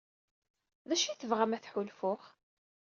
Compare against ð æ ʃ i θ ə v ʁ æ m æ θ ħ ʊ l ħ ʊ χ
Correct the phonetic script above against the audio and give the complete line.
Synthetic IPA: ð æ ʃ i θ ə v ʁ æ m æ θ ħ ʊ l f ʊ χ